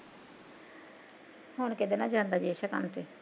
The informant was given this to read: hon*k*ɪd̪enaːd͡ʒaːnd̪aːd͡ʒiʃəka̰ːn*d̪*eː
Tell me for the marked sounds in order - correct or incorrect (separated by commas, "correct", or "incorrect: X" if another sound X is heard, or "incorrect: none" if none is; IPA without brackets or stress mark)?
correct, incorrect: t̪